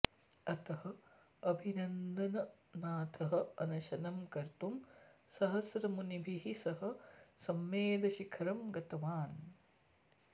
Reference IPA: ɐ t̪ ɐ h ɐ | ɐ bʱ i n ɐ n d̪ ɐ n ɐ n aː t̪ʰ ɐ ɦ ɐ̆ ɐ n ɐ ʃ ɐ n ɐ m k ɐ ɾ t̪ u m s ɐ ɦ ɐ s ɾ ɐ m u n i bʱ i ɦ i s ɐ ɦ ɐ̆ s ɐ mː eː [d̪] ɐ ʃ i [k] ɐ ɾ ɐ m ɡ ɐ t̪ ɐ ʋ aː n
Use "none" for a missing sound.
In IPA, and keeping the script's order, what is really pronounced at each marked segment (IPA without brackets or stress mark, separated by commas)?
d̪, kʰ